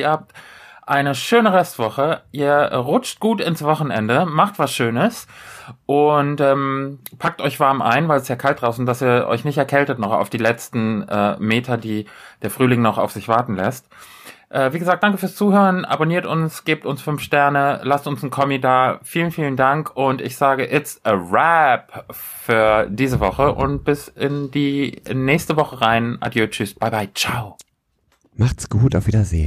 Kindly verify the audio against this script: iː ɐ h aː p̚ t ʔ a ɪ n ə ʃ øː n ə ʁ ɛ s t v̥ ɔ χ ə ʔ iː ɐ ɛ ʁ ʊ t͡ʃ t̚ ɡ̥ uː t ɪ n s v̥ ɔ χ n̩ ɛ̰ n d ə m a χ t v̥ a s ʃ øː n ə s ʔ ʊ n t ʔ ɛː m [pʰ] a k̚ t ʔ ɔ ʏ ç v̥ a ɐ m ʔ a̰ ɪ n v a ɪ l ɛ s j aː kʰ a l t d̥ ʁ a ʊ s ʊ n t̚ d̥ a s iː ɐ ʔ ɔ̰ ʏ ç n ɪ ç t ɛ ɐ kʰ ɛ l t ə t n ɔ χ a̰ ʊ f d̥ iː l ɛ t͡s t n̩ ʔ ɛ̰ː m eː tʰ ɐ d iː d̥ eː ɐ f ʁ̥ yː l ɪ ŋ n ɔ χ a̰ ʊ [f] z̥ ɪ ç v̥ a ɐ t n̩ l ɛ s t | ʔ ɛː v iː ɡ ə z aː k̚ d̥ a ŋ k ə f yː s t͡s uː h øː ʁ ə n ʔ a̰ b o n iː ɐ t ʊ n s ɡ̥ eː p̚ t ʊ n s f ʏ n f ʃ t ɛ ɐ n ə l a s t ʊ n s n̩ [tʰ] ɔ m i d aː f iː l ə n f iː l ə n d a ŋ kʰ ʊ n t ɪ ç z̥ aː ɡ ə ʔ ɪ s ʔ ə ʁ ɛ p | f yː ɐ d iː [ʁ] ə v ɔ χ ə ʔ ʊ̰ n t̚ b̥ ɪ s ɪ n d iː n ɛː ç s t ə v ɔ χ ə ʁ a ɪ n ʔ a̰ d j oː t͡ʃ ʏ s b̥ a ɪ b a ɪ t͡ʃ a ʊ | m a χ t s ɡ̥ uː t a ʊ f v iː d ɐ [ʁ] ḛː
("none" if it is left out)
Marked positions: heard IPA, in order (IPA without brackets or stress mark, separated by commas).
pʰ, f, kʰ, z, z